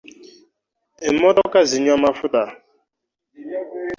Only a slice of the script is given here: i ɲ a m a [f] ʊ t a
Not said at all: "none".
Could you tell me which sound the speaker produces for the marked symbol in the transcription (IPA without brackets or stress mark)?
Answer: f